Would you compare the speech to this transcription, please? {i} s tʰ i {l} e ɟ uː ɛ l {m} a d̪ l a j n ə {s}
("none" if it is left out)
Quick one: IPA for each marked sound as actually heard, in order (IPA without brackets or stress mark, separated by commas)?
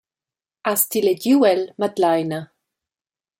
a, l, m, none